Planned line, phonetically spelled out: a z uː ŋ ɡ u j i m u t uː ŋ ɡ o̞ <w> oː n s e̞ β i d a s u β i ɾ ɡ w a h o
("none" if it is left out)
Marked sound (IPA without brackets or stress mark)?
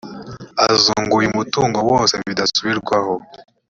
w